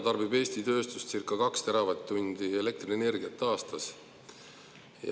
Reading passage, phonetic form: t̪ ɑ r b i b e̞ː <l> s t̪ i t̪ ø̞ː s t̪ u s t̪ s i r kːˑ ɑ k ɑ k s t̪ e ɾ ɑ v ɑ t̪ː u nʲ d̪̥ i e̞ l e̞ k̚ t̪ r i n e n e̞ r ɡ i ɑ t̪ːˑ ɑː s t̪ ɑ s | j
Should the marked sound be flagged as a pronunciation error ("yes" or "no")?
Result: yes